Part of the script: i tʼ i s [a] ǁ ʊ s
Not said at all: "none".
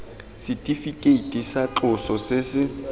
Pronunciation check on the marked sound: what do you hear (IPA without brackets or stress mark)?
a